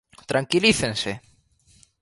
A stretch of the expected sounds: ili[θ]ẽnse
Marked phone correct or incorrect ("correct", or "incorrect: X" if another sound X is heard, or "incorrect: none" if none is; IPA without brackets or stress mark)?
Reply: correct